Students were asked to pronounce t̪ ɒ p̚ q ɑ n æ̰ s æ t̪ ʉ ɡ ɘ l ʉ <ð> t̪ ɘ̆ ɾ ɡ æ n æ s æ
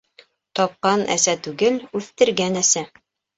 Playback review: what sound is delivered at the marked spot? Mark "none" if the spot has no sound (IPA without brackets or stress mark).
θ